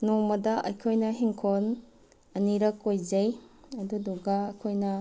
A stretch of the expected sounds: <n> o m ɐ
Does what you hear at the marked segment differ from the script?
no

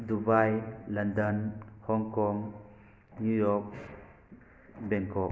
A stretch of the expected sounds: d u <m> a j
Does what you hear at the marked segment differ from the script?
yes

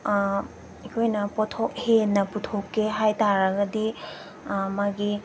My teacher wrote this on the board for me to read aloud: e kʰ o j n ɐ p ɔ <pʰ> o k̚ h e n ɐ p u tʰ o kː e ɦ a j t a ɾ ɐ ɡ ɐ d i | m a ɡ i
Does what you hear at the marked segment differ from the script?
yes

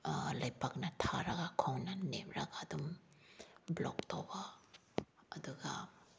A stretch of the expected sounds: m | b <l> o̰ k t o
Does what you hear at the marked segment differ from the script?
no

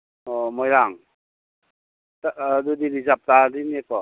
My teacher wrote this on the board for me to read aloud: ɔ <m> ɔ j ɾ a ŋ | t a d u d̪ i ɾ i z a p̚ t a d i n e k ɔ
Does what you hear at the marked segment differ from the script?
no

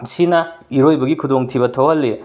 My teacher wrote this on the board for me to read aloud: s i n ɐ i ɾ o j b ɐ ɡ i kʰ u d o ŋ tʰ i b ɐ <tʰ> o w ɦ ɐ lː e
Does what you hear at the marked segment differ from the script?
no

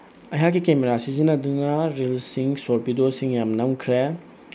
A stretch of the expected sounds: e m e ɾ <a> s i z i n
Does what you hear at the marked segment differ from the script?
no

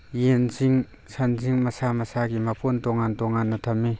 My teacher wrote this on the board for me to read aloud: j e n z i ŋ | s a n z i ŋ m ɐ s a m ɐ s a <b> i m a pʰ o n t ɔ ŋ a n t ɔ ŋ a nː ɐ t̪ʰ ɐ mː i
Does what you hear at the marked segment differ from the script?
yes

